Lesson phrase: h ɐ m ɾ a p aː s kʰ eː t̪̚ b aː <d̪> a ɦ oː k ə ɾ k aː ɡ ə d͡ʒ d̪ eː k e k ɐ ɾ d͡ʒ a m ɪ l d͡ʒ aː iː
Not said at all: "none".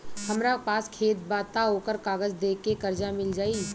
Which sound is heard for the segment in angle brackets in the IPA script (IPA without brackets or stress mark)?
t̪